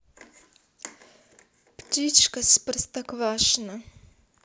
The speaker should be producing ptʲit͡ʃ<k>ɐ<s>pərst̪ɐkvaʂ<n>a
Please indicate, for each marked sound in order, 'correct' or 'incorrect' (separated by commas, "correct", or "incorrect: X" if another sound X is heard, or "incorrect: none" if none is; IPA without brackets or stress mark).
correct, correct, correct